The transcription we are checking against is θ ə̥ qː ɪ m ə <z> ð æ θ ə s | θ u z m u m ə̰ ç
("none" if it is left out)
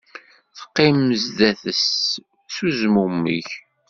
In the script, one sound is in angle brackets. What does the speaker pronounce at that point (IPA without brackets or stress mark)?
z